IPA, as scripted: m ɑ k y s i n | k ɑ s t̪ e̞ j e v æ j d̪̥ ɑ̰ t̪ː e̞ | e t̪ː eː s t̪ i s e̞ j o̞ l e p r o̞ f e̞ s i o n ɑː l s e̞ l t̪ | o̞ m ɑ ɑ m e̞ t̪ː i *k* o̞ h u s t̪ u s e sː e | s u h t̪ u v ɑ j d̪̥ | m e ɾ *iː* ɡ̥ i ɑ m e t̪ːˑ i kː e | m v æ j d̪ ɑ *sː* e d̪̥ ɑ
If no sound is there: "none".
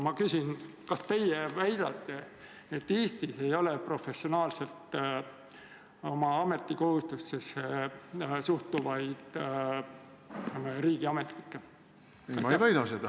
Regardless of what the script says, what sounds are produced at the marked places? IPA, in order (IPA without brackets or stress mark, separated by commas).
k, iː, s